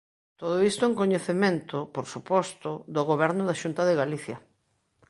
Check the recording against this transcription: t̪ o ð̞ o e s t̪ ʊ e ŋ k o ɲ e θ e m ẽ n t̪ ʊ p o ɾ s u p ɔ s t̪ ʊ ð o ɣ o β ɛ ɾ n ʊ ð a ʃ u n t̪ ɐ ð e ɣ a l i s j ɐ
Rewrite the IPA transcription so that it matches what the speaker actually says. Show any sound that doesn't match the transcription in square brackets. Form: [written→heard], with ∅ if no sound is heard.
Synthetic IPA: t̪ o ð̞ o [e→i] s t̪ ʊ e ŋ k o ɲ e θ e m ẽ n t̪ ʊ p o ɾ s u p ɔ s t̪ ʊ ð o ɣ o β ɛ ɾ n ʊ ð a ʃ u n t̪ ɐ ð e ɣ a l i [s→θ] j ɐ

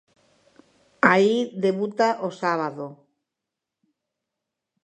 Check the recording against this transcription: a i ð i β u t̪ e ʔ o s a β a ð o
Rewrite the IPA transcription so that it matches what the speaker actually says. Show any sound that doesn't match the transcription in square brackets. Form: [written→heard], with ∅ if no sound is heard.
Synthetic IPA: a i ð [i→e] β u t̪ [e→a] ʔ o s a β a ð o

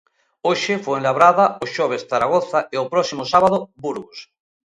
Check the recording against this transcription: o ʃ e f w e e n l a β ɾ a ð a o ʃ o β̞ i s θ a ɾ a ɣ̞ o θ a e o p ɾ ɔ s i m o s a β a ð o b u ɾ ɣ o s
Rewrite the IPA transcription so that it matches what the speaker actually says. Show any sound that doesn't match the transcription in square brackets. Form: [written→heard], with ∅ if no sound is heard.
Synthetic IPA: o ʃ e f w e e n l a β ɾ a ð a o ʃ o β̞ [i→e] s θ a ɾ a ɣ̞ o θ a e o p ɾ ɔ s i m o s a β a ð o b u ɾ ɣ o s

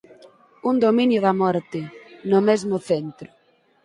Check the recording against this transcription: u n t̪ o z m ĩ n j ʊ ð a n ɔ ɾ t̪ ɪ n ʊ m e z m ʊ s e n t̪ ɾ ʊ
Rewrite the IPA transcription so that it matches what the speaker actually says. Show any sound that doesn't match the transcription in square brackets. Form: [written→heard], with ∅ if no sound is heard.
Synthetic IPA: u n [t̪→d̪] o [z→∅] m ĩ n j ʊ ð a [n→m] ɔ ɾ t̪ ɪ n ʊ m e z m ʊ [s→θ] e n t̪ ɾ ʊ

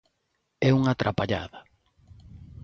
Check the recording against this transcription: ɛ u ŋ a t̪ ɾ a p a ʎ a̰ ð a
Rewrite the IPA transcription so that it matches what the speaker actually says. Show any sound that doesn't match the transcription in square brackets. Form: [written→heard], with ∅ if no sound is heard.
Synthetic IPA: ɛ u ŋ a t̪ ɾ a p a ʎ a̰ ð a

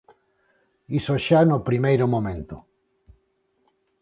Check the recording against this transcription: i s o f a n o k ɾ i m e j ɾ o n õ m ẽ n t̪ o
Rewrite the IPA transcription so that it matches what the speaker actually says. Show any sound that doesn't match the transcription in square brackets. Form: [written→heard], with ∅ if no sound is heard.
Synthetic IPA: i s o [f→ʃ] a n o [k→p] ɾ i m e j ɾ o [n→m] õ m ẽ n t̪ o

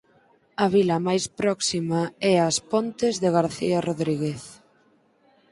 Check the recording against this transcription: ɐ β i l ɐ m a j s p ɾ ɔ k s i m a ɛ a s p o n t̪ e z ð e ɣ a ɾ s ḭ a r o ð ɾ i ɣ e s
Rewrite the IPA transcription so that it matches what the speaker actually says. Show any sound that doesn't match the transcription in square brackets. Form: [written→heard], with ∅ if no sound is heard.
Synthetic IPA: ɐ β i l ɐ m a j s p ɾ ɔ k s i m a ɛ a s p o n t̪ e z ð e ɣ a ɾ [s→θ] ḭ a r o ð ɾ i ɣ e [s→θ]

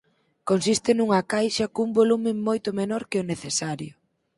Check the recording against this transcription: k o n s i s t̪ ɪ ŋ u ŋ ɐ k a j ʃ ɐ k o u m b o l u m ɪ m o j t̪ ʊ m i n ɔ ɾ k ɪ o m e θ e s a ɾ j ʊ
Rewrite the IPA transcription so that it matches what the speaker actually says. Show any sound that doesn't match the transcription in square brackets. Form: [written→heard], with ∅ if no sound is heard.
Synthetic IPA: k o n s i s t̪ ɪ [ŋ→n] u ŋ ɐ k a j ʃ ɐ k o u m b o l u m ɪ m o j t̪ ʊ m [i→e] n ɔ ɾ k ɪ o [m→n] e θ e s a ɾ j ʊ

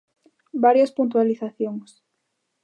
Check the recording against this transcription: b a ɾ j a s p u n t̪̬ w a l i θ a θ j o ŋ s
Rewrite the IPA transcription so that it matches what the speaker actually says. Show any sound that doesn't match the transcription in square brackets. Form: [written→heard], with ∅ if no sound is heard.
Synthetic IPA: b a ɾ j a s p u n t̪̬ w a l i θ a θ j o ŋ s

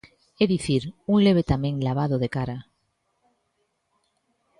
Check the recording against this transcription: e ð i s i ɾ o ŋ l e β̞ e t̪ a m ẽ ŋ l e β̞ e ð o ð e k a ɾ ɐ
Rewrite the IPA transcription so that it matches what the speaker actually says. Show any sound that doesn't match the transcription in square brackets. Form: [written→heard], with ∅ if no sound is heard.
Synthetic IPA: e ð i [s→θ] i ɾ [o→u] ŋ l e β̞ e t̪ a m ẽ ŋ l [e→a] β̞ [e→a] ð o ð e k a ɾ [ɐ→a]

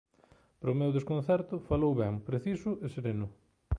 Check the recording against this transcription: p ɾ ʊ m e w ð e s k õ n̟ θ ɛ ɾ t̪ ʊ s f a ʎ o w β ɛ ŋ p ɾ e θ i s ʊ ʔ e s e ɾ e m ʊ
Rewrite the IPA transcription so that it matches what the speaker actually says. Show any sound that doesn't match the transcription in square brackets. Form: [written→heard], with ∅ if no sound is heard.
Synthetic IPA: p ɾ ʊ m e w ð e s k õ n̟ θ ɛ ɾ t̪ ʊ [s→∅] f a [ʎ→l] o w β ɛ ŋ p ɾ e θ i s ʊ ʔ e s e ɾ e [m→n] ʊ

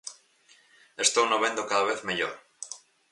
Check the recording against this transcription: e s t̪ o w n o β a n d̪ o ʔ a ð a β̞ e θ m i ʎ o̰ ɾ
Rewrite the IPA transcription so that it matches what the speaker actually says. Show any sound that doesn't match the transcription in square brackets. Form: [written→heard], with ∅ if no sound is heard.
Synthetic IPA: e s t̪ o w n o β [a→e] n d̪ o [ʔ→k] a ð a β̞ e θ m [i→e] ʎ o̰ ɾ

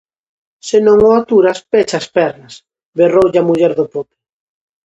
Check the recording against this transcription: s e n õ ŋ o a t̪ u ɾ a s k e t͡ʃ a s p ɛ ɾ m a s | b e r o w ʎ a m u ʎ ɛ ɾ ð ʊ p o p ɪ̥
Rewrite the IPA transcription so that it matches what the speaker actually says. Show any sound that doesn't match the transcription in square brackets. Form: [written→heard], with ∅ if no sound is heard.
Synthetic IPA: s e n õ ŋ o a t̪ u ɾ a s [k→p] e t͡ʃ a s p ɛ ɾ [m→n] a s | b e r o w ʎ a m u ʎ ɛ ɾ ð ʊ p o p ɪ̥

